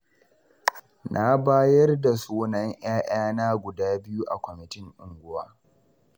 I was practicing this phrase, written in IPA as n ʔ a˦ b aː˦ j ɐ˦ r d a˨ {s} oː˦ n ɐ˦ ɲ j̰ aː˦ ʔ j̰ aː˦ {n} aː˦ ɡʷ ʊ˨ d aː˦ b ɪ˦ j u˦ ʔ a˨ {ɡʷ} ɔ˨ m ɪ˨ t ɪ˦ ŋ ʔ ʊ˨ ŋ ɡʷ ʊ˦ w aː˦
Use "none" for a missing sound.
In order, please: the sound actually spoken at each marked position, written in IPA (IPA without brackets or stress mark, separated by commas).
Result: s, n, kʷ